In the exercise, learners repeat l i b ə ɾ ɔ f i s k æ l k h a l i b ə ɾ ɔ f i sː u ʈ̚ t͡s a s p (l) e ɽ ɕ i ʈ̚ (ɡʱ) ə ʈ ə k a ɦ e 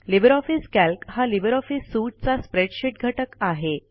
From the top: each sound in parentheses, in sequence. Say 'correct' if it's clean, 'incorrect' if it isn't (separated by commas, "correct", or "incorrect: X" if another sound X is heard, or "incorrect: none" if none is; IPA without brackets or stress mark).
incorrect: ɾ, correct